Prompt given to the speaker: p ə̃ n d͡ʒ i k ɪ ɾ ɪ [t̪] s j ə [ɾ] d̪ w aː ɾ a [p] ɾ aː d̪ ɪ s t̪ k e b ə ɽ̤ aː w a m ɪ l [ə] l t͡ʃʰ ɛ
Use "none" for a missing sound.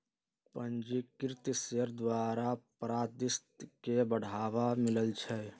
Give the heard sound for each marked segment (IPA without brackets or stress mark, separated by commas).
t̪, ɾ, p, ə